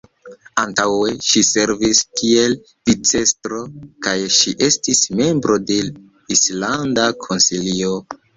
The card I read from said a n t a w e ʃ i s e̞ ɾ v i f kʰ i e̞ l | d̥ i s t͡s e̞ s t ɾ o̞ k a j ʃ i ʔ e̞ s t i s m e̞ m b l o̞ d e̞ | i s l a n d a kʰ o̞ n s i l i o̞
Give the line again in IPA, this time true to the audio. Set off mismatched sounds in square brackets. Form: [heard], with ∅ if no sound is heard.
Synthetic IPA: a n t a w e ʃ i s e̞ ɾ v i [s] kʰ i e̞ l | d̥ i [∅] t͡s e̞ s t ɾ o̞ k a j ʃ i ʔ e̞ s t i s m e̞ m b [ɾ] o̞ d e̞ | i s l a n d a kʰ o̞ n s i l i o̞